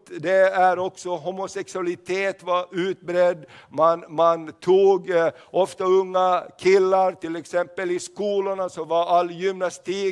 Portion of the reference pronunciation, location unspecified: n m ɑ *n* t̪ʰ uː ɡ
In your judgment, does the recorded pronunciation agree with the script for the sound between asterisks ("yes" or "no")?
yes